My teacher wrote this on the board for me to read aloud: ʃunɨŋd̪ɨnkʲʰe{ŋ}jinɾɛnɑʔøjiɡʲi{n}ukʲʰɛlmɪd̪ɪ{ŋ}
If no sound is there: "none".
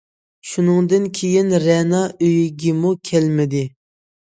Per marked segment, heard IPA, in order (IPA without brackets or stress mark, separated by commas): none, m, none